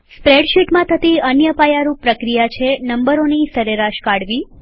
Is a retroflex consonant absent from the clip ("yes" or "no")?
no